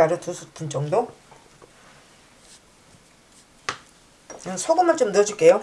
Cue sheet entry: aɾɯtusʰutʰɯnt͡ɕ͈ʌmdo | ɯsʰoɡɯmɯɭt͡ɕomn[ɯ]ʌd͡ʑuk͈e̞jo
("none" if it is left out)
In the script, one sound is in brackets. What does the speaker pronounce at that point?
ɯ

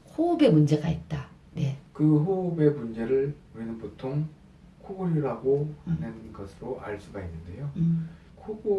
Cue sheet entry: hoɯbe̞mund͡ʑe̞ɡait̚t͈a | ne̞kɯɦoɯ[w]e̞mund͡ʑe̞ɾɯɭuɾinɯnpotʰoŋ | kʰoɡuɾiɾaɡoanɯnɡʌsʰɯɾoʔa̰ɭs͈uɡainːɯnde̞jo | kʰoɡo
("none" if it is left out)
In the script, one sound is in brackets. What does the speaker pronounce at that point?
b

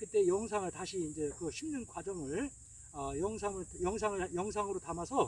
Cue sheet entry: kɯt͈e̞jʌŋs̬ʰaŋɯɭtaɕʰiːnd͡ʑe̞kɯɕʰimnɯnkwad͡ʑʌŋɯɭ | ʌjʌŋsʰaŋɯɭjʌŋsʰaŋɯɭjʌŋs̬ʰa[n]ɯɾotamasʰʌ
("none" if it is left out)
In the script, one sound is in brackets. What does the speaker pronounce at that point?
ŋ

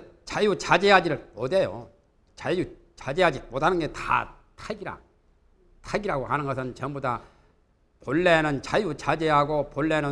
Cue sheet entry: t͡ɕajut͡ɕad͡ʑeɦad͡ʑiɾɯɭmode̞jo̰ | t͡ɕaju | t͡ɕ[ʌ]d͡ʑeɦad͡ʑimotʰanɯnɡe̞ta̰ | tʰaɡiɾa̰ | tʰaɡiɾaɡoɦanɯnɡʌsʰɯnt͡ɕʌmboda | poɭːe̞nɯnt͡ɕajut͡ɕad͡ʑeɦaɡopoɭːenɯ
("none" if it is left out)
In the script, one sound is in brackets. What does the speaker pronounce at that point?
a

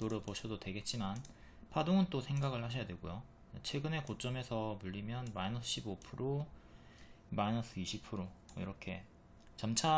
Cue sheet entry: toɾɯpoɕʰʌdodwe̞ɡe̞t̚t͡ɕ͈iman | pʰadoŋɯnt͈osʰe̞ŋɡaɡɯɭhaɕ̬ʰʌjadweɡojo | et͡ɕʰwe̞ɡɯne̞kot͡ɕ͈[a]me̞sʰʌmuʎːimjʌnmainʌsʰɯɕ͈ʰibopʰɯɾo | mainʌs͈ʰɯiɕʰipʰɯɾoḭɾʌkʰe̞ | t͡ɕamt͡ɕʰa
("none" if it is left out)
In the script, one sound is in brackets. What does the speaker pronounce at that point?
ʌ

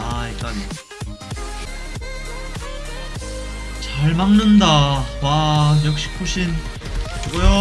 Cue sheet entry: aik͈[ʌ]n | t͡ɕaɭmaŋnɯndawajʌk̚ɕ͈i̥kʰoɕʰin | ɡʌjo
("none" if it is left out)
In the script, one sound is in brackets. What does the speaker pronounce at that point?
a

